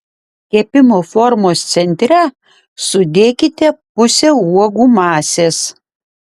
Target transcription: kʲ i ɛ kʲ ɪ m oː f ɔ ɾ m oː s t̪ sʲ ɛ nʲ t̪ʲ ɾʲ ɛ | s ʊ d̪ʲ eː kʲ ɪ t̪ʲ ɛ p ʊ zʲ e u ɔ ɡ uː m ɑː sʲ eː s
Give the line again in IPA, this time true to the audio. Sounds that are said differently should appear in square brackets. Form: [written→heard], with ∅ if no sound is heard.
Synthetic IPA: kʲ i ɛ [kʲ→pʲ] ɪ m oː f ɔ ɾ m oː s t̪ sʲ ɛ nʲ t̪ʲ ɾʲ ɛ | s ʊ d̪ʲ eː kʲ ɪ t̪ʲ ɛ p ʊ [zʲ→sʲ] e u ɔ ɡ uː m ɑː sʲ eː s

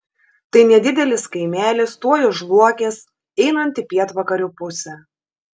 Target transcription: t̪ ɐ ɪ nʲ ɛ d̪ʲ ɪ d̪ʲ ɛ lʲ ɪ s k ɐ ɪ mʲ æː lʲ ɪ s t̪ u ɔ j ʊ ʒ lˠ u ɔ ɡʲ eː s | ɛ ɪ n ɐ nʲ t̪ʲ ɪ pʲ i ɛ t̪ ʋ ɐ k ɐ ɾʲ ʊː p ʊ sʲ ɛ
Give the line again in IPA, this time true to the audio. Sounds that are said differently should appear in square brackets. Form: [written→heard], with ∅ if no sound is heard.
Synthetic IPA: t̪ ɐ ɪ nʲ ɛ d̪ʲ ɪ d̪ʲ ɛ lʲ ɪ s k ɐ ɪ mʲ æː lʲ ɪ s t̪ u ɔ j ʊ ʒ lˠ u ɔ [ɡʲ→kʲ] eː s | ɛ ɪ n ɐ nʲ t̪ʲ ɪ pʲ i ɛ t̪ ʋ ɐ k ɐ ɾʲ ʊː p ʊ sʲ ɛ

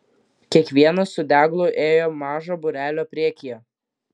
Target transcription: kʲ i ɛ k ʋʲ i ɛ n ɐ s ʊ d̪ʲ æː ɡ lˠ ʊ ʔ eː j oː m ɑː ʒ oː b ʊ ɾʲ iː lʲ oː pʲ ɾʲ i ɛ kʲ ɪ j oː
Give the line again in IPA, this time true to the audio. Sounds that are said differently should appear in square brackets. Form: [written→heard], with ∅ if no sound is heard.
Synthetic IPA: kʲ i ɛ k ʋʲ i ɛ n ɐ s ʊ d̪ʲ æː ɡ lˠ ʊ ʔ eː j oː m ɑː ʒ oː b ʊ ɾʲ [iː→æː] lʲ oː pʲ ɾʲ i ɛ kʲ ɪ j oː

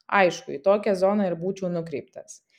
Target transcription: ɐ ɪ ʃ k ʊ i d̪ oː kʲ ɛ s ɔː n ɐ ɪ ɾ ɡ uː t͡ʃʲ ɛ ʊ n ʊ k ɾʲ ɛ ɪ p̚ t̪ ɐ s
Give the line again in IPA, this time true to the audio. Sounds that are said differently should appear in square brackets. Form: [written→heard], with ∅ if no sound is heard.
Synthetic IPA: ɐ ɪ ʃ k ʊ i [d̪→t̪] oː kʲ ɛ [s→z] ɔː n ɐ ɪ ɾ [ɡ→b] uː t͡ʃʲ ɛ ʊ n ʊ k ɾʲ ɛ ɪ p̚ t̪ ɐ s

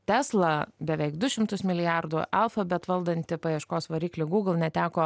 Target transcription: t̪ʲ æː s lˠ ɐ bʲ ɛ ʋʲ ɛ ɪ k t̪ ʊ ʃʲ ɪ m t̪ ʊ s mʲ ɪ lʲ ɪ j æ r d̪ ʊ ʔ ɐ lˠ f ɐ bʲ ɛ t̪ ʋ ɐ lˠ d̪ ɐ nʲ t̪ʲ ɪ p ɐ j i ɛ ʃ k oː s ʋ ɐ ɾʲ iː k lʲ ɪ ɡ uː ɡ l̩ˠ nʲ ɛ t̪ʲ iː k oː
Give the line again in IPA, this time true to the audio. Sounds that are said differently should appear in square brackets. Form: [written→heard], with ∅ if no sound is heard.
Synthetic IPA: t̪ʲ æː s lˠ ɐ bʲ ɛ ʋʲ ɛ ɪ k [t̪→d̪] ʊ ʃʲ ɪ m t̪ ʊ s mʲ ɪ lʲ ɪ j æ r d̪ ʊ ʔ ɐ lˠ f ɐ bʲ ɛ t̪ ʋ ɐ lˠ d̪ ɐ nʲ t̪ʲ ɪ p ɐ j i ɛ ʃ k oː s ʋ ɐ ɾʲ iː k lʲ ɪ ɡ uː ɡ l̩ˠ nʲ ɛ t̪ʲ [iː→æː] k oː

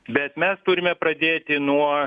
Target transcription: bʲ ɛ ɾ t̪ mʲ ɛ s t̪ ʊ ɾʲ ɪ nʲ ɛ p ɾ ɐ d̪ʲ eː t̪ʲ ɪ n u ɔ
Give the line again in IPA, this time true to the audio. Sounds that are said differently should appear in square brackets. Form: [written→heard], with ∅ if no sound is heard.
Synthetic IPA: bʲ ɛ [ɾ→∅] t̪ mʲ ɛ s t̪ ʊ ɾʲ ɪ [nʲ→mʲ] ɛ p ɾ ɐ d̪ʲ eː t̪ʲ ɪ n u ɔ

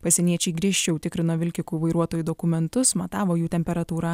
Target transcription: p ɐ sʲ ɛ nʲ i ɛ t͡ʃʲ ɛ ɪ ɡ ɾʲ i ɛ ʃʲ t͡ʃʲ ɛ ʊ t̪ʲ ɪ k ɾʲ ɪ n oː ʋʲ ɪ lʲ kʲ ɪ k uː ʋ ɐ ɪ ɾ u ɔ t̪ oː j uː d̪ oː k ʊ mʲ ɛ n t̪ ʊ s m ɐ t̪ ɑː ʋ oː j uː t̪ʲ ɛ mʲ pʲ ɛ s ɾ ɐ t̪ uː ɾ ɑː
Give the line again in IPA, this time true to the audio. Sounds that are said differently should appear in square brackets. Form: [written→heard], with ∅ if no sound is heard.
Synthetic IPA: p ɐ sʲ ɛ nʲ i ɛ t͡ʃʲ ɛ ɪ ɡ ɾʲ i ɛ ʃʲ t͡ʃʲ ɛ ʊ t̪ʲ ɪ k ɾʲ ɪ n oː ʋʲ ɪ lʲ kʲ ɪ k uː ʋ ɐ ɪ ɾ u ɔ t̪ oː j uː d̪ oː k ʊ mʲ ɛ n t̪ ʊ s m ɐ t̪ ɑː ʋ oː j uː t̪ʲ ɛ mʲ pʲ ɛ [s→∅] ɾ ɐ t̪ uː ɾ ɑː

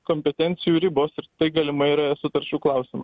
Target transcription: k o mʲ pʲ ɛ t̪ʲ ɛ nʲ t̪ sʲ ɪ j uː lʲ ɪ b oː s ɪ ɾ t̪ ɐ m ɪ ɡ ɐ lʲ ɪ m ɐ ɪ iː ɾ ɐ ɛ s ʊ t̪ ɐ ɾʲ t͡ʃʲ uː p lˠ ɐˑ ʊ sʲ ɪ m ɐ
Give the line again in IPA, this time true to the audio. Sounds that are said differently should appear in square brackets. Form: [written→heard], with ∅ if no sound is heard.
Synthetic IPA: k o mʲ pʲ ɛ t̪ʲ ɛ nʲ t̪ sʲ ɪ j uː [lʲ→ɾʲ] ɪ b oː s ɪ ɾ t̪ ɐ [m→∅] ɪ ɡ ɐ lʲ ɪ m ɐ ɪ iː ɾ ɐ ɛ s ʊ t̪ ɐ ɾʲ t͡ʃʲ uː [p→k] lˠ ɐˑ ʊ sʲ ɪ m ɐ

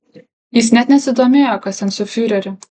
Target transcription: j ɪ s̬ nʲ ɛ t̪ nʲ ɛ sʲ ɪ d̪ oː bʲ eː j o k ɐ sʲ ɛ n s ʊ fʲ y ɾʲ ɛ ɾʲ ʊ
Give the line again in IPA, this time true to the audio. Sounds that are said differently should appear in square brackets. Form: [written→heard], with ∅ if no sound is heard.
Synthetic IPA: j ɪ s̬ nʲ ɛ t̪ nʲ ɛ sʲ ɪ d̪ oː [bʲ→mʲ] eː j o k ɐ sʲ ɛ n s ʊ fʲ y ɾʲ ɛ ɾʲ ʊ

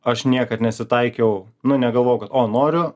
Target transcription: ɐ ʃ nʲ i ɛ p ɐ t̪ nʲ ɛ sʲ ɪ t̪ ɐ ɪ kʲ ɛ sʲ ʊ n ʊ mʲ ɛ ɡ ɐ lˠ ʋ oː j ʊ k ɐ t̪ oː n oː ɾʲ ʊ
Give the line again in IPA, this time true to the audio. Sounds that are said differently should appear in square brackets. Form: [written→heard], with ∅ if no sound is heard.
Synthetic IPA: ɐ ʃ nʲ i ɛ [p→k] ɐ t̪ nʲ ɛ sʲ ɪ t̪ ɐ ɪ kʲ ɛ [sʲ→∅] ʊ n ʊ [mʲ→nʲ] ɛ ɡ ɐ lˠ ʋ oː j ʊ k ɐ t̪ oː n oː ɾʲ ʊ

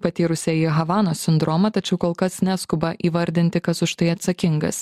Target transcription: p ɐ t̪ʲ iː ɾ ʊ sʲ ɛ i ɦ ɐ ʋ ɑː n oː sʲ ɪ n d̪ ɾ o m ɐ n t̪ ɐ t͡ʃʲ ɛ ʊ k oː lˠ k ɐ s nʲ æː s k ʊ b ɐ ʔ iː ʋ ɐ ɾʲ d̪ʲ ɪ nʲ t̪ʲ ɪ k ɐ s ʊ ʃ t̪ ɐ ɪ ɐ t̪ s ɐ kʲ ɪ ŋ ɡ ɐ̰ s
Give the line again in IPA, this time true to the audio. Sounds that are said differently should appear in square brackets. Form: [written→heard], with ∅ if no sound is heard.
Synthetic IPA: p ɐ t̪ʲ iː ɾ ʊ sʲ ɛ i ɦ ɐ ʋ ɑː n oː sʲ ɪ n d̪ ɾ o m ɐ [n→∅] t̪ ɐ t͡ʃʲ ɛ ʊ k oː lˠ k ɐ s nʲ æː s k ʊ b ɐ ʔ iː ʋ ɐ ɾʲ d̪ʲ ɪ nʲ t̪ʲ ɪ k ɐ s ʊ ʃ t̪ ɐ ɪ ɐ t̪ s ɐ kʲ ɪ ŋ ɡ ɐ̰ s

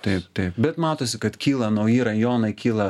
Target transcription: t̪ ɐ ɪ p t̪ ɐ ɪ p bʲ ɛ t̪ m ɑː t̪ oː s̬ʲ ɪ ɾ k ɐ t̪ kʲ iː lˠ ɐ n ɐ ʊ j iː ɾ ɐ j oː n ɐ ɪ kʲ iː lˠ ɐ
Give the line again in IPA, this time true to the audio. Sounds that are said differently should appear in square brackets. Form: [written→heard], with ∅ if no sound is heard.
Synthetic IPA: t̪ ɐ ɪ p t̪ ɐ ɪ p bʲ ɛ t̪ m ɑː t̪ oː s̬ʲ ɪ [ɾ→∅] k ɐ t̪ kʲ iː lˠ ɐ n ɐ ʊ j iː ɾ ɐ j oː n ɐ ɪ kʲ iː lˠ ɐ

